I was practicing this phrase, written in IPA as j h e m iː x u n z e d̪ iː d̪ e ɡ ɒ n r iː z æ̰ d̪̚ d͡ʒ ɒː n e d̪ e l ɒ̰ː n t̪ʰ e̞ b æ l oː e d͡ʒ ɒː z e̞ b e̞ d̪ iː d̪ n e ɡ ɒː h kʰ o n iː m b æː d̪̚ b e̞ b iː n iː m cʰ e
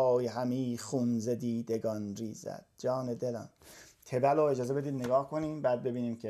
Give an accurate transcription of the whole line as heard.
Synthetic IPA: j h æ m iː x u n z e d̪ iː d̪ e ɡ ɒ n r iː z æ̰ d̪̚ d͡ʒ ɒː n e d̪ e l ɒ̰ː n t̪ʰ e̞ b æ l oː e d͡ʒ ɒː z e̞ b e̞ d̪ iː d̪ n e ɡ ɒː h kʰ o n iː m b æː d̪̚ b e̞ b iː n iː m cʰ e